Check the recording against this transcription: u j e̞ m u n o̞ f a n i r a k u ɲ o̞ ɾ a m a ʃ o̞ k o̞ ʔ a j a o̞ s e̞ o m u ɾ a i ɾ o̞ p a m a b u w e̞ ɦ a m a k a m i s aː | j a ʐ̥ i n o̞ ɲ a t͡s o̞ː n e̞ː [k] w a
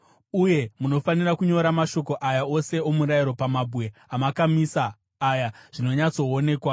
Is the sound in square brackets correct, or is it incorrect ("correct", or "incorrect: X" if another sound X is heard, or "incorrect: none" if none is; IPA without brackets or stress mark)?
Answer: correct